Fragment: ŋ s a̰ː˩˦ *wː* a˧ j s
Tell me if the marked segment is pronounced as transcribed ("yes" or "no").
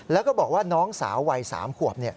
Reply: yes